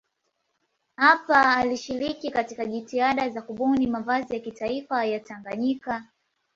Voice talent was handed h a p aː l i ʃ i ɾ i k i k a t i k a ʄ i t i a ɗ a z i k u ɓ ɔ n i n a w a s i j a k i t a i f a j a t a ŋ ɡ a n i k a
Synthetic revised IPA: h a p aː l i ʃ i ɾ i k i k a t i k a ʄ i t i a ɗ a z a k u ɓ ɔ n i m a v a z i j a k i t a i f a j a t a ŋ ɡ a ɲ i k a